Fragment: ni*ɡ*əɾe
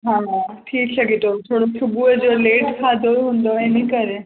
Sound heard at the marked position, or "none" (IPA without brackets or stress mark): k